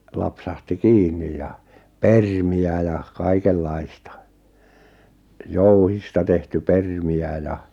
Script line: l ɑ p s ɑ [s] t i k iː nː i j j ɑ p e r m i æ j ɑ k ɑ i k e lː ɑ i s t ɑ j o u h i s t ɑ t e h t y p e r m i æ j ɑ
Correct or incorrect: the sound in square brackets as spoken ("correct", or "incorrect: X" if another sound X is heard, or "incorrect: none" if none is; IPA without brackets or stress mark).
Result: incorrect: h